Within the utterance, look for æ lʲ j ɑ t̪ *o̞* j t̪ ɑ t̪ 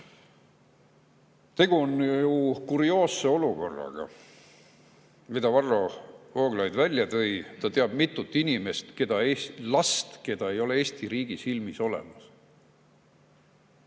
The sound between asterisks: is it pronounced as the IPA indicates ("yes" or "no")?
no